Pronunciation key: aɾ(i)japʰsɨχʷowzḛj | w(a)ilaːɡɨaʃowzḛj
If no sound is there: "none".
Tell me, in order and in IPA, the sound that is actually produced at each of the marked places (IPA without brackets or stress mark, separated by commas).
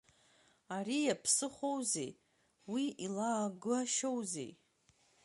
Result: i, i